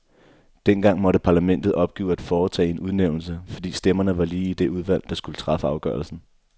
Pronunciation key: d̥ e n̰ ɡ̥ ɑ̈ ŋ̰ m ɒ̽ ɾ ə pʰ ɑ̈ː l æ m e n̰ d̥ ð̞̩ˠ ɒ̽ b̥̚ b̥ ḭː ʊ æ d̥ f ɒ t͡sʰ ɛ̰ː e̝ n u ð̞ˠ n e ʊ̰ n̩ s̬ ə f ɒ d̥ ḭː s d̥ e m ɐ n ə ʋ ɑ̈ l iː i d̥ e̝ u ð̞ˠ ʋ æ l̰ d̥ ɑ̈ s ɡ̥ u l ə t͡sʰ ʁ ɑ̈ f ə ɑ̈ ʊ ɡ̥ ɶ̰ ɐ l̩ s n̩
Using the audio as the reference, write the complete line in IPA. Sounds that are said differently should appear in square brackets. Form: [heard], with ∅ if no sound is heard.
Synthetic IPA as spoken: d̥ e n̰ ɡ̥ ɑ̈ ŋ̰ m ɒ̽ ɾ ə pʰ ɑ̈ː l æ m e n̰ d̥ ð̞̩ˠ ɒ̽ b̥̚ [ɡ̥] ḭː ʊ æ d̥ f [ɒː] t͡sʰ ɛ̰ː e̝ n u ð̞ˠ n e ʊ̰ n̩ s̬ ə f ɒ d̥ ḭː s d̥ e m ɐ n ə ʋ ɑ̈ l iː i d̥ e̝ u ð̞ˠ ʋ æ l̰ d̥ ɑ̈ s ɡ̥ u l ə t͡sʰ ʁ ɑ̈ f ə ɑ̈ ʊ ɡ̥ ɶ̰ ɐ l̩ s n̩